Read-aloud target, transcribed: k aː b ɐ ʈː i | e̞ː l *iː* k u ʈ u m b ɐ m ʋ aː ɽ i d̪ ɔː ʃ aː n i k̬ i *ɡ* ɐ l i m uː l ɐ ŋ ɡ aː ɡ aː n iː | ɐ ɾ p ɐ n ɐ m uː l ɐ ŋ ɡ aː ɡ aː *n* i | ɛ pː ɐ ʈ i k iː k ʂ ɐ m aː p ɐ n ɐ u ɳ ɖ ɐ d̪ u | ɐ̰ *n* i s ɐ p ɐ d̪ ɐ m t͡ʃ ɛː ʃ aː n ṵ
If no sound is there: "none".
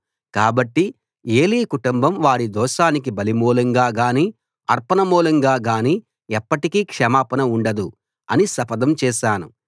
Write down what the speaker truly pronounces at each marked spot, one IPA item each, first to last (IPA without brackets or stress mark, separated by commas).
iː, b, n, n